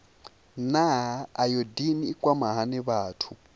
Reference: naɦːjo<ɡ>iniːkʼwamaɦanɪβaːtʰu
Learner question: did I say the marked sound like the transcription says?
no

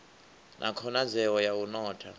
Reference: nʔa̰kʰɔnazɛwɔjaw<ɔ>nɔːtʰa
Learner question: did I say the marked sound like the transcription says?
no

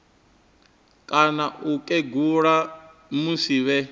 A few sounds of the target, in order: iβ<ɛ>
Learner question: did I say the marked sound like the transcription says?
yes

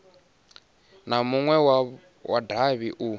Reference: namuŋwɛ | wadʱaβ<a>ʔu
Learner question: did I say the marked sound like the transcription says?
no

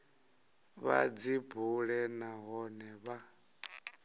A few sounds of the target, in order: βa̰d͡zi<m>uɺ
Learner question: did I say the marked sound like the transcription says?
no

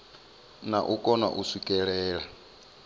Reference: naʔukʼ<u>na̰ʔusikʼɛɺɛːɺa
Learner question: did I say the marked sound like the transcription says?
no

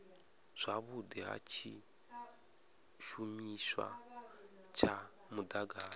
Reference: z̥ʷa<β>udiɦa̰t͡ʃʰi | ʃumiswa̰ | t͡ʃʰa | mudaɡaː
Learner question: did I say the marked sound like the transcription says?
yes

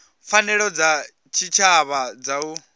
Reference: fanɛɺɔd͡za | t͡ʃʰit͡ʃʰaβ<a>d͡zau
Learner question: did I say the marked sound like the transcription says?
yes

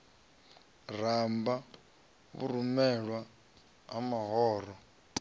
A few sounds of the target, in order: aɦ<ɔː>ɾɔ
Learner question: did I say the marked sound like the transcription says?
yes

